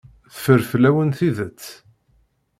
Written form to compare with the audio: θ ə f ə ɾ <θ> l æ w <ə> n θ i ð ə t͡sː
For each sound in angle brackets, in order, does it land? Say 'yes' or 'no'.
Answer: no, yes

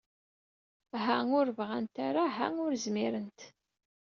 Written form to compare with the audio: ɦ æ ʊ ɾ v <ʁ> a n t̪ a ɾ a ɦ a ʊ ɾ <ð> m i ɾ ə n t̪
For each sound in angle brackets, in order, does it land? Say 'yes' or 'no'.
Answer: yes, no

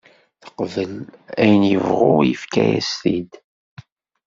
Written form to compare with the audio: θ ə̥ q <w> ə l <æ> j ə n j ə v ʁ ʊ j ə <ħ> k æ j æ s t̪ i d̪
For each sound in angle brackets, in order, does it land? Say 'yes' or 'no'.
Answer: no, yes, no

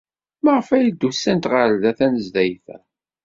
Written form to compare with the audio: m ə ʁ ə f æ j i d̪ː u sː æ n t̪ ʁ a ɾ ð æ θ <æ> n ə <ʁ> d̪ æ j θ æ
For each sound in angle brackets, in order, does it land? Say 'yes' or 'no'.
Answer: yes, no

